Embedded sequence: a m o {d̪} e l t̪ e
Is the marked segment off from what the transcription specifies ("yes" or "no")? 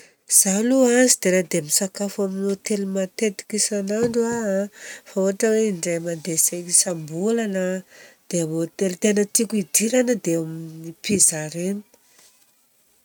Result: yes